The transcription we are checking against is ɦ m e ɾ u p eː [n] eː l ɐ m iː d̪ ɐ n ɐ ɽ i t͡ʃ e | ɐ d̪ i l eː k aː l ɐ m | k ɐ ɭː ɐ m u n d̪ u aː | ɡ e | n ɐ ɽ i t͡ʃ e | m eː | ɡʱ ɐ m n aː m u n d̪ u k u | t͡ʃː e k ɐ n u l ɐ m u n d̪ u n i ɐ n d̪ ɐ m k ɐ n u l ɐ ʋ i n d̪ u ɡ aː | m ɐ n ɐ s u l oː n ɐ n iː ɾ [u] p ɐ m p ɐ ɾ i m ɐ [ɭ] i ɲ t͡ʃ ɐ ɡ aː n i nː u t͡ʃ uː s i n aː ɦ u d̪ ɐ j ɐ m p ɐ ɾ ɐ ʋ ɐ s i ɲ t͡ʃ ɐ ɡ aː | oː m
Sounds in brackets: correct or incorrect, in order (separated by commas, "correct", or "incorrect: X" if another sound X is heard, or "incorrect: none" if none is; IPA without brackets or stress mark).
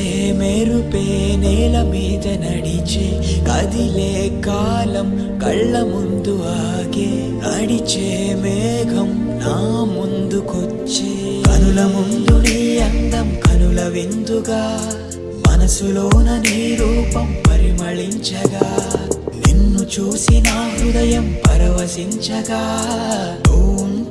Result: correct, incorrect: uː, correct